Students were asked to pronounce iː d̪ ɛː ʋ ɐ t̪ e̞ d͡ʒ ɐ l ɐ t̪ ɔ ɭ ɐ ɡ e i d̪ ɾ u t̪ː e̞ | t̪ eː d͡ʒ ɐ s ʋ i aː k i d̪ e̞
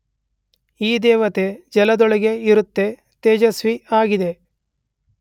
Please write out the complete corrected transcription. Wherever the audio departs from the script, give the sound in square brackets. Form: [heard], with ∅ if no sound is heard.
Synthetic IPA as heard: iː d̪ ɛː ʋ ɐ t̪ e̞ d͡ʒ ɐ l ɐ [d̪] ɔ ɭ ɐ ɡ e i [∅] ɾ u t̪ː e̞ | t̪ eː d͡ʒ ɐ s ʋ i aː [ɡ] i d̪ e̞